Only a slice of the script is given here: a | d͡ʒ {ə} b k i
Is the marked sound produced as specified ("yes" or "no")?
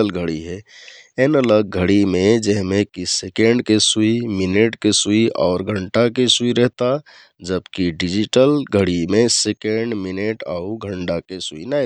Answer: yes